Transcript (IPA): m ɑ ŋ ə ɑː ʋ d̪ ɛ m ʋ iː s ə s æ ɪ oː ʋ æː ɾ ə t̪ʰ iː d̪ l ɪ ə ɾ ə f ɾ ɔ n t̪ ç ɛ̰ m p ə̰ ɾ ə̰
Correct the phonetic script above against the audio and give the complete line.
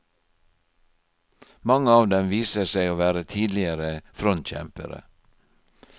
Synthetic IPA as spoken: m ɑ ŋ ə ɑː ʋ d̪ ɛ m ʋ iː s ə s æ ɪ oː ʋ æː ɾ ə t̪ʰ iː d̪ l ɪ ə ɾ ə f ɾ ɔ n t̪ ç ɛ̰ m p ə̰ ɾ ə̰